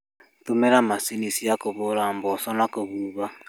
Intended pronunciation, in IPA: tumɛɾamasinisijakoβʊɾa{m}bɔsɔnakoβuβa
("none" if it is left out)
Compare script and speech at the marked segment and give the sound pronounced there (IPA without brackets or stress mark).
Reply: m